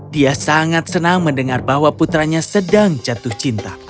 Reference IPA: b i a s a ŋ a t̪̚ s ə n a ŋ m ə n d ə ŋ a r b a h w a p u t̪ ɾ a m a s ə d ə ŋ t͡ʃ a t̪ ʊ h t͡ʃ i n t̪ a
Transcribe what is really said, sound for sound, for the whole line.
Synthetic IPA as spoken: d i a s a ŋ a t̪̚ s ə n a ŋ m ə n d ə ŋ a r b a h w a p u t̪ ɾ a ɲ a s ə d a ŋ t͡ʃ a t̪ ʊ h t͡ʃ i n t̪ a